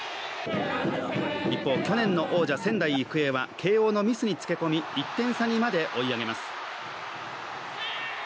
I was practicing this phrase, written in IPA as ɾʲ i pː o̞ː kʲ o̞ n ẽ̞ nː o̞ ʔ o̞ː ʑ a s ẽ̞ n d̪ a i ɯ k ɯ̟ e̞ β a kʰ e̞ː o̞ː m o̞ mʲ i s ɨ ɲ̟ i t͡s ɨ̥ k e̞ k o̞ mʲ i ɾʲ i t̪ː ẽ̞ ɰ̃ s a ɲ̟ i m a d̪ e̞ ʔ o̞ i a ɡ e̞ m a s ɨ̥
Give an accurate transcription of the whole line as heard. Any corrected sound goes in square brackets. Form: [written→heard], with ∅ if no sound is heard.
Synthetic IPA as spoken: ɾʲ i pː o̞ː kʲ o̞ n ẽ̞ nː o̞ ʔ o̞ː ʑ a s ẽ̞ n d̪ a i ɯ k ɯ̟ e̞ β a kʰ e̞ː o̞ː [m→n] o̞ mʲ i s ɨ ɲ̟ i t͡s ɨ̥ k e̞ k o̞ mʲ i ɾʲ i t̪ː ẽ̞ ɰ̃ s a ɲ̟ i m a d̪ e̞ ʔ o̞ i a ɡ e̞ m a s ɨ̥